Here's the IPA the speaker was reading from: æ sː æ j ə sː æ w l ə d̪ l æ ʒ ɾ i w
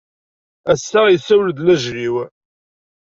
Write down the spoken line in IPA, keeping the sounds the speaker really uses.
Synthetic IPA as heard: æ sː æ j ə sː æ w l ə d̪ l æ ʒ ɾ i w